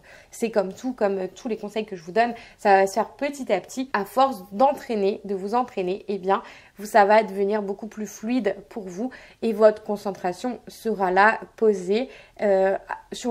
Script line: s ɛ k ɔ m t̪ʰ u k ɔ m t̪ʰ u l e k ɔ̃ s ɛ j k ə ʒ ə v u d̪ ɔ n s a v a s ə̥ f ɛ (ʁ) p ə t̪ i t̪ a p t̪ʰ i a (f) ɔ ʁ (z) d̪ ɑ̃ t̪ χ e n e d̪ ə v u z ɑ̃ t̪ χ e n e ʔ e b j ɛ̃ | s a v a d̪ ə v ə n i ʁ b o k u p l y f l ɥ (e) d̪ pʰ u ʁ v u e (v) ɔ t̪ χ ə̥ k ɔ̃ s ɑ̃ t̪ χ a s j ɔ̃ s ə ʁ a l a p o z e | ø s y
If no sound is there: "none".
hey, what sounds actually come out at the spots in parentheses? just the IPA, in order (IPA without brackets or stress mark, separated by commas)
ʁ, f, s, i, v